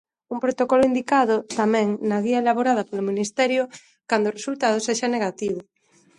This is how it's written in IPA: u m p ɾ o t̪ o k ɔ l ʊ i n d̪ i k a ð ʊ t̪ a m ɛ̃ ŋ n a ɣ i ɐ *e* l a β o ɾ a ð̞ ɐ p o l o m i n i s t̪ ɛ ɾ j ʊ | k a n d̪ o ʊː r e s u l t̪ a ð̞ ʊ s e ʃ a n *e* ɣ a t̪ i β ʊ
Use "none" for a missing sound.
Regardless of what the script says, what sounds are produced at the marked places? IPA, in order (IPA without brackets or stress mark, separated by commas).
e, e